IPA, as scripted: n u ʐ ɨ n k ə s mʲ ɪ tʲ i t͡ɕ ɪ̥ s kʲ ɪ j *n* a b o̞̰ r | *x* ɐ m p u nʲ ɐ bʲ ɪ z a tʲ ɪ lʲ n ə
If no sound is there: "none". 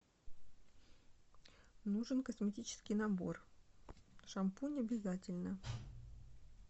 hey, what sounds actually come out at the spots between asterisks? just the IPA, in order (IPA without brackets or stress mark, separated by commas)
n, ʂ